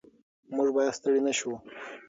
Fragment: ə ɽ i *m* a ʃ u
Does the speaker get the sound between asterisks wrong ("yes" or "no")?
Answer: yes